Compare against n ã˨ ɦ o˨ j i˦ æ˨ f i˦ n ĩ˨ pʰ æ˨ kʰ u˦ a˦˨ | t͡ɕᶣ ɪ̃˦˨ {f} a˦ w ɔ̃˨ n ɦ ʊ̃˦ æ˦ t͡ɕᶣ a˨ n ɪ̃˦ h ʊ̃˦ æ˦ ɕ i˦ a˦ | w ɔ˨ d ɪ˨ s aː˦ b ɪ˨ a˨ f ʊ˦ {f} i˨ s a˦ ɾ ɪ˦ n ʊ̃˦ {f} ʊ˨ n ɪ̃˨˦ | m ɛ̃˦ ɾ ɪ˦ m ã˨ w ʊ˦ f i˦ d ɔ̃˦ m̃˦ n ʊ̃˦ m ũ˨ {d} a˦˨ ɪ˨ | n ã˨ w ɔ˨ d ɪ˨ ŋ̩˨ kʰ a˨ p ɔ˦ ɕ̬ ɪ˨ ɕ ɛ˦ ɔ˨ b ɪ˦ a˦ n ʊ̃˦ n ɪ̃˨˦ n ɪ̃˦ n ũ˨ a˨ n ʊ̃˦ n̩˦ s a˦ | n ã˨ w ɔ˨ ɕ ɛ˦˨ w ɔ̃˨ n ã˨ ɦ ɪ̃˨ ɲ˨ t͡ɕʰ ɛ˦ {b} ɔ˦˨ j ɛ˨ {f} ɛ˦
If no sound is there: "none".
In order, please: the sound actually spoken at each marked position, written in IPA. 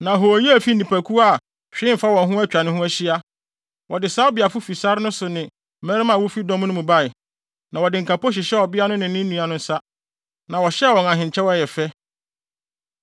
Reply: f, f, s, b, w, f

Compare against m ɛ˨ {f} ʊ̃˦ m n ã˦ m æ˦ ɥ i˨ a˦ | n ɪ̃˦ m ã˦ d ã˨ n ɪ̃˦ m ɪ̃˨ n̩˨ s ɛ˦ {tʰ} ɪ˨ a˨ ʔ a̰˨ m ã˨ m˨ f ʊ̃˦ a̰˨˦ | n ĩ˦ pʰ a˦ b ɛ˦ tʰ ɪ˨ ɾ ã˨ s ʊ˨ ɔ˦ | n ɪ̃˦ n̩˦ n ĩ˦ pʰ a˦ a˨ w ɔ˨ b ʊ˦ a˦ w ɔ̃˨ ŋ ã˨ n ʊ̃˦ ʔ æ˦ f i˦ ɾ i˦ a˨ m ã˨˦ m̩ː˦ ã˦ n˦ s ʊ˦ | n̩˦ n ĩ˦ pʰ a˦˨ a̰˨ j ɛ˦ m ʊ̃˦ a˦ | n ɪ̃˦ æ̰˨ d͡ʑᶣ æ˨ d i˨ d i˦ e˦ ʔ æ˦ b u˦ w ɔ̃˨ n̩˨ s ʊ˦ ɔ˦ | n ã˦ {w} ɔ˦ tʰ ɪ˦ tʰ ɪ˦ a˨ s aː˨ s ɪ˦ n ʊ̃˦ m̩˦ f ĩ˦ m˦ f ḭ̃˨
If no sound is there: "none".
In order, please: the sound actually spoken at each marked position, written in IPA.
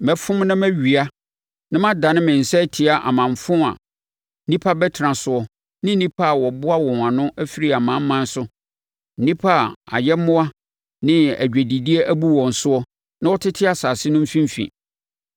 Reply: f, tʰ, w

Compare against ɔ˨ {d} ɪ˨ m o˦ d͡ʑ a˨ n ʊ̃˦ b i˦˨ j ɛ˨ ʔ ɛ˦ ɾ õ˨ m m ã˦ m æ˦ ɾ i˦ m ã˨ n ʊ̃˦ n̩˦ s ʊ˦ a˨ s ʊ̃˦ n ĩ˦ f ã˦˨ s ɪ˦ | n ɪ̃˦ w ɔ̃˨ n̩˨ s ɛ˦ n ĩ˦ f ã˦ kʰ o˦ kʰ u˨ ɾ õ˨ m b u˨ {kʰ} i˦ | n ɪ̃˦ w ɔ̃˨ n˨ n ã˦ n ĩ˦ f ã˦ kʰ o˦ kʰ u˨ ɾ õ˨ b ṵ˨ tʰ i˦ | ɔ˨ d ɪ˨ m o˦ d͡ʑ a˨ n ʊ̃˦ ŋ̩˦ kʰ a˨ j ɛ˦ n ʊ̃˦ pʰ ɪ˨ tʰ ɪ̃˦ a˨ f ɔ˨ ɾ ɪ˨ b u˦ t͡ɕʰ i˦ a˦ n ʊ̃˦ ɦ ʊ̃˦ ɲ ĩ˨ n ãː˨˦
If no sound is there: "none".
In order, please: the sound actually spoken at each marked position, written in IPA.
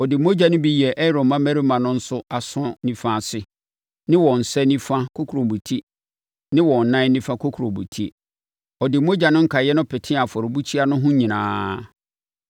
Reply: d, tʰ

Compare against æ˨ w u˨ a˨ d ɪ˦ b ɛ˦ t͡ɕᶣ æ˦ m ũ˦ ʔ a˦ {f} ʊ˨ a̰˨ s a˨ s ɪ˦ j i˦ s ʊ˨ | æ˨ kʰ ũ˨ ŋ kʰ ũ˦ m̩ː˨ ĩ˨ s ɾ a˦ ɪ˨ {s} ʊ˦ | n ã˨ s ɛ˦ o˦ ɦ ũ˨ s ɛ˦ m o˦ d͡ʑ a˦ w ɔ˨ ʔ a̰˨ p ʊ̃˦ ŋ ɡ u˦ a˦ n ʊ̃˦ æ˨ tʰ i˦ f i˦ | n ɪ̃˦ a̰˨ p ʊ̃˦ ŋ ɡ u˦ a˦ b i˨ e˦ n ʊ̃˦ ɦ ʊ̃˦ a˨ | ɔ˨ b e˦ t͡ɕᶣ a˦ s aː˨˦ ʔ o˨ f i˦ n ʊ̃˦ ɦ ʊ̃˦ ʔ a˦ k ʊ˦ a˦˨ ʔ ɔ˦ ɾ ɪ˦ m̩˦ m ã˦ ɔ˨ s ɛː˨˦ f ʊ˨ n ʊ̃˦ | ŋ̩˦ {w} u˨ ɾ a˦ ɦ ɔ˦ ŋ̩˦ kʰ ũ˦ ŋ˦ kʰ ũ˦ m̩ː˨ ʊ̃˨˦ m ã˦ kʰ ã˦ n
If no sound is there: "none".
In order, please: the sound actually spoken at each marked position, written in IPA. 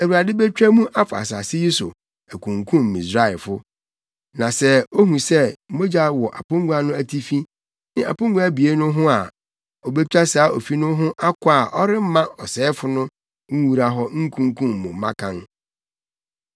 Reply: f, f, w

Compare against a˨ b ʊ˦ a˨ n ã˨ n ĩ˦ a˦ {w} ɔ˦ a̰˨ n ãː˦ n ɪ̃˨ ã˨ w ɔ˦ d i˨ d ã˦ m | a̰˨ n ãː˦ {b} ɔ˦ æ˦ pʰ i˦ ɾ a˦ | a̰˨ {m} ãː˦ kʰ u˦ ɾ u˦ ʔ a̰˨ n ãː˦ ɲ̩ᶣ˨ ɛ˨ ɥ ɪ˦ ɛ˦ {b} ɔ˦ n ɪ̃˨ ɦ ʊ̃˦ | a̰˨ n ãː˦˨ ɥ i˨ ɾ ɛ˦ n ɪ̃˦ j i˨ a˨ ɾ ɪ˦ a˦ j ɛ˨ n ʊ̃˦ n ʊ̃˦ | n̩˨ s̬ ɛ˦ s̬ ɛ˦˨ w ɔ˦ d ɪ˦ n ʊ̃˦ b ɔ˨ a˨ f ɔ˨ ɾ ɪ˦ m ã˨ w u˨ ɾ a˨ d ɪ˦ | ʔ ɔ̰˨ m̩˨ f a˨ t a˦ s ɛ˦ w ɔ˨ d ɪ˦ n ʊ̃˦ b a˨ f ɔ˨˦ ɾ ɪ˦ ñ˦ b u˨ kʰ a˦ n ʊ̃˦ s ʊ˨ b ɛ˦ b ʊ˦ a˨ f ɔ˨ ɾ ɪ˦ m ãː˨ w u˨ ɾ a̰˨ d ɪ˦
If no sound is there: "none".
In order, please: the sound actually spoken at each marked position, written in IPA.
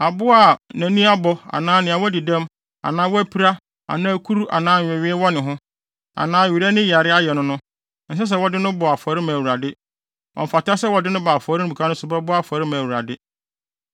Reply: b, w, n, w

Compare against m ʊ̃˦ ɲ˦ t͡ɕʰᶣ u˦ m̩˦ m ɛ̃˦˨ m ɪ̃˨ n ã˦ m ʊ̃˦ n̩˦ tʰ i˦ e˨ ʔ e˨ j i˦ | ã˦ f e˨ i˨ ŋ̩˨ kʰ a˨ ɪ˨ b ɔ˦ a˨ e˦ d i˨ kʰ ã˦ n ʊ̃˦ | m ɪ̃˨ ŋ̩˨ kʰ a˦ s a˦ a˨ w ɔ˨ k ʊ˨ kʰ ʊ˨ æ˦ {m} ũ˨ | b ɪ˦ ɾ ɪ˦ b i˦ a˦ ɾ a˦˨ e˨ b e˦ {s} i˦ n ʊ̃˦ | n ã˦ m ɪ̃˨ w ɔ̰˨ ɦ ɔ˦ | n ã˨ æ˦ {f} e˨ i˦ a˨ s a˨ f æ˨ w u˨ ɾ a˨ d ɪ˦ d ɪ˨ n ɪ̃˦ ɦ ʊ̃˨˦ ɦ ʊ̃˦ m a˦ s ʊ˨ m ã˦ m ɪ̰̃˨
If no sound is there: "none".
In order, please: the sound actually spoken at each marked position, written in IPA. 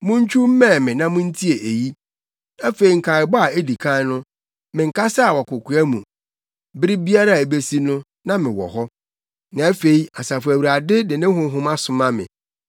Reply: m, s, f

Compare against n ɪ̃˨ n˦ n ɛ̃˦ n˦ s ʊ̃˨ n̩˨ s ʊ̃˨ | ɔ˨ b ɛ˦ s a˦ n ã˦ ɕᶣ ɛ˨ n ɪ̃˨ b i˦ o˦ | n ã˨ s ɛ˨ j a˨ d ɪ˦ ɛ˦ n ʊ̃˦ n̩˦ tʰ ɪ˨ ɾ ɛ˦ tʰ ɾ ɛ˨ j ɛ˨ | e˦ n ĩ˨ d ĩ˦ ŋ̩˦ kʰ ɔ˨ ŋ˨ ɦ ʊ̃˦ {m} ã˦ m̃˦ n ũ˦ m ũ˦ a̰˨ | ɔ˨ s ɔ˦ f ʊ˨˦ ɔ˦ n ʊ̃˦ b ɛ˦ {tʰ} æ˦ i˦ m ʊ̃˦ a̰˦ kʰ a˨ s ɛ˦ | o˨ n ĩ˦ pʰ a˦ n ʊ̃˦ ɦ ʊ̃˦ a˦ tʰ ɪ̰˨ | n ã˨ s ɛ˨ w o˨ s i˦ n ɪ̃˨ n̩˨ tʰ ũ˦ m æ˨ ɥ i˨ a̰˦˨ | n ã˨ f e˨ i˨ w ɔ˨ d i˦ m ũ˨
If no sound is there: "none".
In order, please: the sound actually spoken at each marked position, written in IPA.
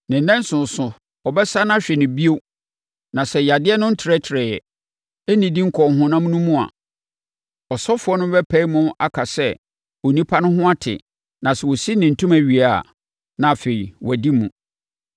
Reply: n, pʰ

